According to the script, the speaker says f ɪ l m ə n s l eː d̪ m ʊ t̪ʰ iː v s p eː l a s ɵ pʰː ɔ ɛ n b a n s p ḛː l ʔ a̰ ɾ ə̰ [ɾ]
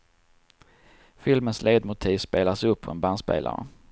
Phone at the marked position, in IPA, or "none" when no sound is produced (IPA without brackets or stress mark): none